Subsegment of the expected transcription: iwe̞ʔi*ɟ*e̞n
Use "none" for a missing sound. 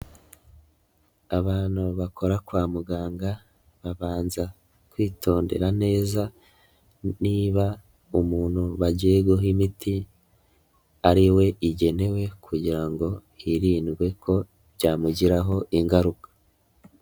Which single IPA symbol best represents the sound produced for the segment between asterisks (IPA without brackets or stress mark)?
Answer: ɟ